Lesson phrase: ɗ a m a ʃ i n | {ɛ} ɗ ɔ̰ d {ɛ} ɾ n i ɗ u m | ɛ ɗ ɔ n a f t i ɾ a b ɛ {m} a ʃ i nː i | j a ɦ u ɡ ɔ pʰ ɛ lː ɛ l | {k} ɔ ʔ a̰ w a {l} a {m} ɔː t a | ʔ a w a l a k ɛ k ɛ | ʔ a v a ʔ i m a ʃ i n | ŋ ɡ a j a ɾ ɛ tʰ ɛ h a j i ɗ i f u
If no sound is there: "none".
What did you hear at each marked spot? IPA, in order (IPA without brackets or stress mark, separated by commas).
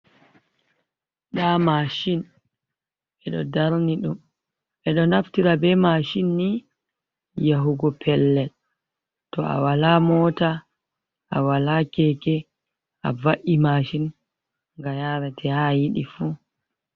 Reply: ɛ, a, m, t, l, m